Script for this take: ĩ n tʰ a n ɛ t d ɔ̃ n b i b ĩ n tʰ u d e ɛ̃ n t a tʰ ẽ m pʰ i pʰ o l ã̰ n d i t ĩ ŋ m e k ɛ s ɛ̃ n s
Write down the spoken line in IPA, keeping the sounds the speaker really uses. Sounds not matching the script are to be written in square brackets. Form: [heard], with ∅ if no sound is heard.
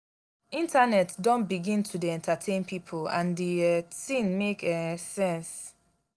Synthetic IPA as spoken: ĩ n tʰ a n ɛ t d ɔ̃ n b i [ɡ] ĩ n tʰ u d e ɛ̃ n t a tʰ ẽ [n] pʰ i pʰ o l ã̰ n d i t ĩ [n] m e k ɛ s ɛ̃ n s